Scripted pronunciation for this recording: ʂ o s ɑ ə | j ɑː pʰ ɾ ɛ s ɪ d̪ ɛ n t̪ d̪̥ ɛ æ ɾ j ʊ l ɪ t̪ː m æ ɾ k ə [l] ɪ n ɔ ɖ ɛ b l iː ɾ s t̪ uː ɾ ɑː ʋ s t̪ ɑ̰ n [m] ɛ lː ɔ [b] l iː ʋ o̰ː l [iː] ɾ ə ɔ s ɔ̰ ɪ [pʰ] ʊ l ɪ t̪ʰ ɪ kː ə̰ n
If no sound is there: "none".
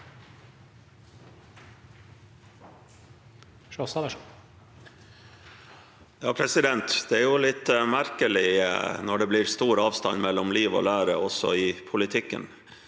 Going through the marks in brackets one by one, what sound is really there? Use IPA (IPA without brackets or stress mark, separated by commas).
l, m, m, æː, pʰ